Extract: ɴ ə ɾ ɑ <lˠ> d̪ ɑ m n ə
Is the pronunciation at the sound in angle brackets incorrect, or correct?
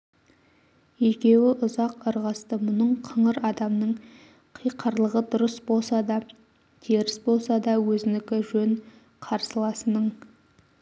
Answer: incorrect